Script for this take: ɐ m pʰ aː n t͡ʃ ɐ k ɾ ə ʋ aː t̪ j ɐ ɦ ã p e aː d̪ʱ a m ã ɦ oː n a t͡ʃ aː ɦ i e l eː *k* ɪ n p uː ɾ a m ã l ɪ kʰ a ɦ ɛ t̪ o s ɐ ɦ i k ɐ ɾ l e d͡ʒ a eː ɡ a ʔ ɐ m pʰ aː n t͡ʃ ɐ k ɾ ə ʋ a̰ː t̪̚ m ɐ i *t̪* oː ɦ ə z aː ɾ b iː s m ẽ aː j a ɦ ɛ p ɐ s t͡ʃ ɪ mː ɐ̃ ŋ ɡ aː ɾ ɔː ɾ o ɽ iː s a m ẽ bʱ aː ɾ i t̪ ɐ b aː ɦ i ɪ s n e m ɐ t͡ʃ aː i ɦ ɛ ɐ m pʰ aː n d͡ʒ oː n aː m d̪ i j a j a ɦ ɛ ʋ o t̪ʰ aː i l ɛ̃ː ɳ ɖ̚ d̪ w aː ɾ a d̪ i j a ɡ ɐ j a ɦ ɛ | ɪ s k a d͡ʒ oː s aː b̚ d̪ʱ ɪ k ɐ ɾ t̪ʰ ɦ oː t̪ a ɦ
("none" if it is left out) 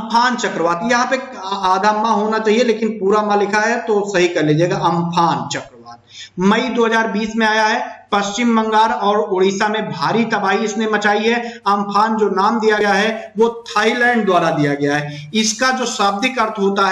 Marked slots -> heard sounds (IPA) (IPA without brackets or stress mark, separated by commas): k, d̪